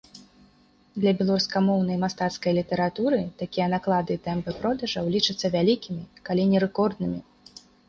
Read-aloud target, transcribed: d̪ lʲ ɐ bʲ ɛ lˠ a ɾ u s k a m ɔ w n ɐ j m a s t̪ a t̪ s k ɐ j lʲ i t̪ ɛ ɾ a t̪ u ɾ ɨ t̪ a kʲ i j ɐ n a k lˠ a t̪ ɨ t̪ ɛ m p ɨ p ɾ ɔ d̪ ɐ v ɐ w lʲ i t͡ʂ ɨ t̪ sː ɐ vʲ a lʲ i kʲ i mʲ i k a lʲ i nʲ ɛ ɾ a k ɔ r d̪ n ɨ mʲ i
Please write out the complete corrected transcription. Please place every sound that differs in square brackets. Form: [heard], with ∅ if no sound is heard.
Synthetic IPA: d̪ lʲ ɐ bʲ ɛ lˠ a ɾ u s k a m ɔ w n ɐ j m a s t̪ a t̪ s k ɐ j lʲ i t̪ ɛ ɾ a t̪ u ɾ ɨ t̪ a kʲ i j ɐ n a k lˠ a [d̪] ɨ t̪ ɛ m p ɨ p ɾ ɔ d̪ ɐ [ʐ] ɐ w lʲ i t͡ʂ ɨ t̪ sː ɐ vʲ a lʲ i kʲ i mʲ i k a lʲ i nʲ ɛ ɾ [ɛ] k ɔ r d̪ n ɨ mʲ i

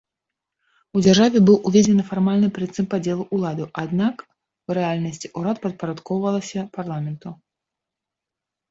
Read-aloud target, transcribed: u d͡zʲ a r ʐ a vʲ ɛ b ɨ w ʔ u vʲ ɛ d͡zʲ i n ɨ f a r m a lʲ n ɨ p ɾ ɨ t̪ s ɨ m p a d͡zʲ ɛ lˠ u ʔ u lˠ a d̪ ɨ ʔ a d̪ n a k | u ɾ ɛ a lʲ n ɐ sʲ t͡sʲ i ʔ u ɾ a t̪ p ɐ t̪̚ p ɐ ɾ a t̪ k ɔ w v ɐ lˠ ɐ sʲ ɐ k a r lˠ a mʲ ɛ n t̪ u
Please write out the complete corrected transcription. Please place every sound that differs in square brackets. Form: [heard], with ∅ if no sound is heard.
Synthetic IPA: u d͡zʲ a r ʐ a vʲ ɛ b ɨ w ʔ u vʲ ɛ d͡zʲ [ɛ] n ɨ f a r m a lʲ n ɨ p ɾ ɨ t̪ s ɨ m p a d͡zʲ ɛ lˠ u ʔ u lˠ a d̪ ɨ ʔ a d̪ n a k | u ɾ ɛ a lʲ n ɐ sʲ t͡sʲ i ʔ u ɾ a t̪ p ɐ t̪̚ p ɐ ɾ a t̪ k ɔ w v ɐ lˠ ɐ sʲ ɐ [p] a r lˠ a mʲ ɛ n t̪ u

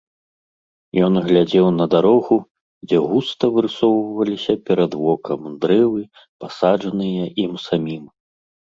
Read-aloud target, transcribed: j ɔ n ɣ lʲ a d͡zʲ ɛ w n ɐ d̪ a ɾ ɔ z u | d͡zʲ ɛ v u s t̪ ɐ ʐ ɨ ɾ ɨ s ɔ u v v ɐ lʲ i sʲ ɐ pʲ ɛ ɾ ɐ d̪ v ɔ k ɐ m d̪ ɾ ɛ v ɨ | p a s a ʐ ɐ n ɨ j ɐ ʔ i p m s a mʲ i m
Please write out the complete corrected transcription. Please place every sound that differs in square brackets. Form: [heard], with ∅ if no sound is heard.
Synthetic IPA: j ɔ n ɣ lʲ a d͡zʲ ɛ w n ɐ d̪ a ɾ ɔ [ɣ] u | d͡zʲ ɛ [ɣ] u s t̪ ɐ [v] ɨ ɾ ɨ s ɔ [w] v v ɐ lʲ i sʲ ɐ pʲ ɛ ɾ ɐ d̪ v ɔ k ɐ m d̪ ɾ ɛ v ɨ | p a s a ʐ ɐ n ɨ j ɐ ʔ i [∅] m s a mʲ i m

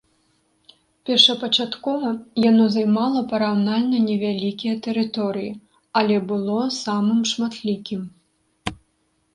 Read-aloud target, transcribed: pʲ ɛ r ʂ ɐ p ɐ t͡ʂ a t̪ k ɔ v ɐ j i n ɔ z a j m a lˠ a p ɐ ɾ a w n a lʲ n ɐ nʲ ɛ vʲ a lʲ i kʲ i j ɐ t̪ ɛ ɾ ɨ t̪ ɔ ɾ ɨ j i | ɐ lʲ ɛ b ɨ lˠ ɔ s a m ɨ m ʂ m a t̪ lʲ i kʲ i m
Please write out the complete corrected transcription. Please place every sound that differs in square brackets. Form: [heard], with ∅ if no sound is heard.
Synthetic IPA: pʲ ɛ r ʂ ɐ p ɐ t͡ʂ a t̪ k ɔ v ɐ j [a] n ɔ z a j m a lˠ [ɐ] p ɐ ɾ a w n a lʲ n ɐ nʲ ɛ vʲ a lʲ i kʲ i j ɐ t̪ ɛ ɾ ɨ t̪ ɔ ɾ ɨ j i | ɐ lʲ ɛ b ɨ lˠ ɔ s a m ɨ m ʂ m a t̪ lʲ i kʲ i m

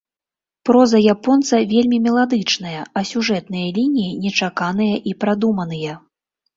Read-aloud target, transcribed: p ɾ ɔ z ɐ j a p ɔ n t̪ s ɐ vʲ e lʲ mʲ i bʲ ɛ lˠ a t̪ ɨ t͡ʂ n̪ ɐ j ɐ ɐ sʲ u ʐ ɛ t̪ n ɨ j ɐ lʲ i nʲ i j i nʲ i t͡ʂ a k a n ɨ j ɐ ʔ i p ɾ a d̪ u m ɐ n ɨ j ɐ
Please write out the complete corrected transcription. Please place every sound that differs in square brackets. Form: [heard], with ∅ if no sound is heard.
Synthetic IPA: p ɾ ɔ z ɐ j a p ɔ n t̪ s ɐ vʲ e lʲ mʲ i [mʲ] ɛ lˠ a [d̪] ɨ t͡ʂ n̪ ɐ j ɐ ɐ sʲ u ʐ ɛ t̪ n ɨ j ɐ lʲ i nʲ i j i nʲ [ɛ] t͡ʂ a k a n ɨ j ɐ ʔ i p ɾ a d̪ u m ɐ n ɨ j ɐ

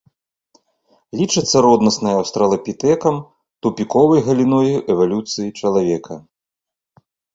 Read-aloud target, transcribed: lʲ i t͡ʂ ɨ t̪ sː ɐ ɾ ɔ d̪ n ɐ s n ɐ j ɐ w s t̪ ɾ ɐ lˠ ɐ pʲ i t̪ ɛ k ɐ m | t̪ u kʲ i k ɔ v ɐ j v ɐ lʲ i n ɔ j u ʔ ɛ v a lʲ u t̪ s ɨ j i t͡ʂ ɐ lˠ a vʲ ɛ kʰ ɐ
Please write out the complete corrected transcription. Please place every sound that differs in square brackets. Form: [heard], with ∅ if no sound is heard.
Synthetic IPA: lʲ i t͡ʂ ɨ t̪ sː ɐ ɾ ɔ d̪ n ɐ s n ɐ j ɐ w s t̪ ɾ ɐ lˠ ɐ pʲ i t̪ ɛ k ɐ m | t̪ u [pʲ] i k ɔ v ɐ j [ɣ] ɐ lʲ i n ɔ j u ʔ ɛ v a lʲ u t̪ s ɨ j i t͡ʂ ɐ lˠ a vʲ ɛ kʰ ɐ

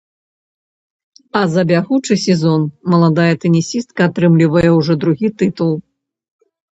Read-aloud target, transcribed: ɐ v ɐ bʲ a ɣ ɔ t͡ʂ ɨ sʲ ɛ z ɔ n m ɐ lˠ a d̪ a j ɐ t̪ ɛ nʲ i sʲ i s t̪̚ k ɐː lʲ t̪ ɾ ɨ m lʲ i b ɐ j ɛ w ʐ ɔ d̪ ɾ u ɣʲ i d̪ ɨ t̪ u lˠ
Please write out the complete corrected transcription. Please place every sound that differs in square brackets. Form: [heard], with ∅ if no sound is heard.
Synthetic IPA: ɐ [z] ɐ bʲ a ɣ [u] t͡ʂ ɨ sʲ ɛ z ɔ n m ɐ lˠ a d̪ a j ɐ t̪ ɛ nʲ i sʲ i s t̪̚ k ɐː [∅] t̪ ɾ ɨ m lʲ i [v] ɐ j ɛ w ʐ ɔ d̪ ɾ u ɣʲ i [t̪] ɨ t̪ u lˠ

